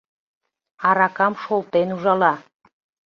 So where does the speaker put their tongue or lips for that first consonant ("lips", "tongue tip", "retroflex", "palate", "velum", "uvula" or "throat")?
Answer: tongue tip